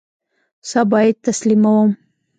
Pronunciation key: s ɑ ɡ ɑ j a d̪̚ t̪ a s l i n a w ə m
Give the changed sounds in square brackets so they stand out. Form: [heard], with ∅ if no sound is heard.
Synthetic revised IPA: s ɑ [b] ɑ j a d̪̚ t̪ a s l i [m] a w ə m